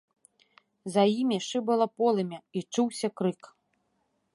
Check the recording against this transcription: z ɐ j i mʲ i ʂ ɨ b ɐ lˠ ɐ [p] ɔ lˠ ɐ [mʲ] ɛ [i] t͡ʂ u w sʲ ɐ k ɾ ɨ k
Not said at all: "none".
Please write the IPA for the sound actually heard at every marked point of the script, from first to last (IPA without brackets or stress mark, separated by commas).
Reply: p, mʲ, i